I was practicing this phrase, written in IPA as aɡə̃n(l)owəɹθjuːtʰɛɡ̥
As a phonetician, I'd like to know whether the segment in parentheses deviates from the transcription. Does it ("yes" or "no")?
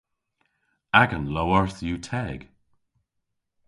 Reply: no